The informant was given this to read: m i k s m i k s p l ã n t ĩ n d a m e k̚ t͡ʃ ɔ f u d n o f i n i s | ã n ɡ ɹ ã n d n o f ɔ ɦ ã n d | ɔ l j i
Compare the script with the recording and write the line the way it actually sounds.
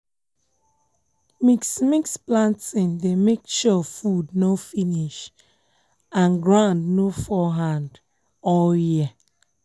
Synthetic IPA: m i k s m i k s p l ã n t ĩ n d e m e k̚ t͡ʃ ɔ f u d n o f i n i ʃ | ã n ɡ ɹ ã n d n o f ɔ ɦ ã n d | ɔ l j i